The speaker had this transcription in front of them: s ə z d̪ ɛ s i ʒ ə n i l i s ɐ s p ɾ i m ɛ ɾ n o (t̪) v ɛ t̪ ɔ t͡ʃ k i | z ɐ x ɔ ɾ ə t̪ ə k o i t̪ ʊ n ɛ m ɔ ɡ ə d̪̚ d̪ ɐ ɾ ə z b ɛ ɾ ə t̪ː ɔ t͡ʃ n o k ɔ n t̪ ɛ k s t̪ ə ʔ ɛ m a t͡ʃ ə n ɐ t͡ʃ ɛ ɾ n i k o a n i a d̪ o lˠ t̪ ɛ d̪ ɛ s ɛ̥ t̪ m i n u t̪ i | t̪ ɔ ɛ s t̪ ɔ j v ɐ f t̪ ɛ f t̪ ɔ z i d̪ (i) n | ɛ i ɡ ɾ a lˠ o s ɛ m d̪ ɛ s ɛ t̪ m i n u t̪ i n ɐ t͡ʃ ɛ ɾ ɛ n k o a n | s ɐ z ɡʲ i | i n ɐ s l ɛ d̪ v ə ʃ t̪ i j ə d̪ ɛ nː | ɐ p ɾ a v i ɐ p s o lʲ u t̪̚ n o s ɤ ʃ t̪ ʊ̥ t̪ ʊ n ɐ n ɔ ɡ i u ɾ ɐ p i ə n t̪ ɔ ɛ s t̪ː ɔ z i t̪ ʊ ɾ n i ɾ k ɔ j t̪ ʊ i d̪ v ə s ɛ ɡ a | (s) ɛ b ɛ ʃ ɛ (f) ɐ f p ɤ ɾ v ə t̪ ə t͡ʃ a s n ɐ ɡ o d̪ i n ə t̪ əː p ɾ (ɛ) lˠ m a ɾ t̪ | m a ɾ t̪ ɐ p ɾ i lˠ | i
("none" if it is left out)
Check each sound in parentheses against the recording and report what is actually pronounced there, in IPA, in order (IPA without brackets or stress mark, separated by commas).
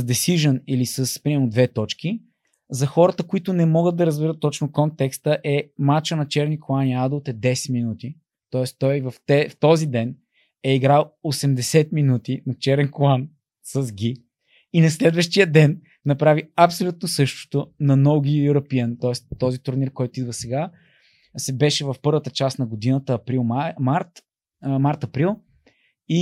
d̪, ɛ, s, v, i